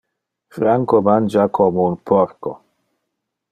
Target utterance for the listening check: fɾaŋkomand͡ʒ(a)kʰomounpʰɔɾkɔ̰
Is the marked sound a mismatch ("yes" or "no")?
no